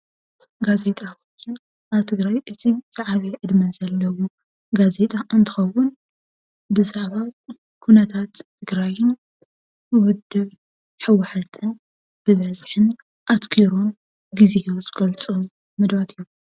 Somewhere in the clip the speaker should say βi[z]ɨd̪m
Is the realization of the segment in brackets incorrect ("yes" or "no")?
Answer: yes